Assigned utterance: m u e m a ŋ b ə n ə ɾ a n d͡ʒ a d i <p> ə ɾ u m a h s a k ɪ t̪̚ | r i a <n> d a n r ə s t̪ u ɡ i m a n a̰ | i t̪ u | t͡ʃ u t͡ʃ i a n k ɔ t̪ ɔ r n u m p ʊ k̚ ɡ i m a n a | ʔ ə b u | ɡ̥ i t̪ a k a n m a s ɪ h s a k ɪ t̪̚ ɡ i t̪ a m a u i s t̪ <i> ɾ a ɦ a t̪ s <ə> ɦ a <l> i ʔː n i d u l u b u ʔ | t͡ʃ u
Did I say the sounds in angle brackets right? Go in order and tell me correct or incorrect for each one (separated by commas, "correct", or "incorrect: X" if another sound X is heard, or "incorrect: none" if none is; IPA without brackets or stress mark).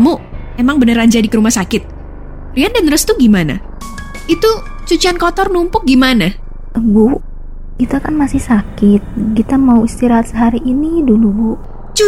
incorrect: k, correct, correct, correct, incorrect: ɾ